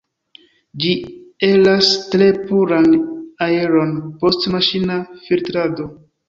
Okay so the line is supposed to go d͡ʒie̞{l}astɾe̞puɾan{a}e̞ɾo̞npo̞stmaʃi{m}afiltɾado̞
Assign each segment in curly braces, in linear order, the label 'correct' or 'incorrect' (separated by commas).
correct, correct, incorrect